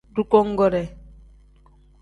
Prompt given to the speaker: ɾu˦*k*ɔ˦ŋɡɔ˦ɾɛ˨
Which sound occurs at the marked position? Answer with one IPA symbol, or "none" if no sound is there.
k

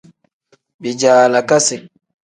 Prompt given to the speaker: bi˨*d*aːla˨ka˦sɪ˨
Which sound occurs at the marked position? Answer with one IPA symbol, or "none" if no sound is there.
d͡ʒ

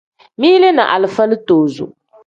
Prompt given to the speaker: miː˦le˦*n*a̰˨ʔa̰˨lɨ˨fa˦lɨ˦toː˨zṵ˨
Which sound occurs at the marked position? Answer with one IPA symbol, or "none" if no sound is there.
n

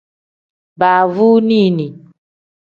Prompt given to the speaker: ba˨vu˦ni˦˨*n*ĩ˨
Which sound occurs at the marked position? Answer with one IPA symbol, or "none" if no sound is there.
n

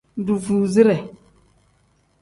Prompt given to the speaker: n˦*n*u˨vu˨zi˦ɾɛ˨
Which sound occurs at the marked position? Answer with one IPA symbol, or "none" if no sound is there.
d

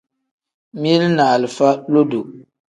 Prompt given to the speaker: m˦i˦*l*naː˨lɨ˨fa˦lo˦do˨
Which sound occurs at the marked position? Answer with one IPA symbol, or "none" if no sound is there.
l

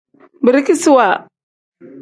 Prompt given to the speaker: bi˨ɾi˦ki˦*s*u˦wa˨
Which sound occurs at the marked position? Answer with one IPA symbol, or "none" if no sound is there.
s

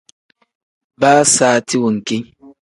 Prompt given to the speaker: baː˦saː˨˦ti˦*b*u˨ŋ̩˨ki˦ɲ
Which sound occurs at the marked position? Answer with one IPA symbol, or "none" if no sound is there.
w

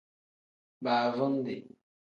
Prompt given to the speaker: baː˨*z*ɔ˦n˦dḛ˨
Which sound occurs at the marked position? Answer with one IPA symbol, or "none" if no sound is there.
v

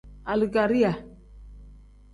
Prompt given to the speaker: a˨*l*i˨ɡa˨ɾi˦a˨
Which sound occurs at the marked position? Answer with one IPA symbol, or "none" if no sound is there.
l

